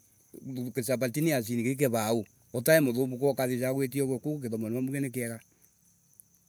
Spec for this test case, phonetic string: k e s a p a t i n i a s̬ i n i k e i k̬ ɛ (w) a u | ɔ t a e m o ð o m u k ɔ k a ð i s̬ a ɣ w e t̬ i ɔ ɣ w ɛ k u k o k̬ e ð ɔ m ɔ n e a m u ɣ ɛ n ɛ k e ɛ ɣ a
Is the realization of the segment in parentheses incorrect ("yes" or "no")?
yes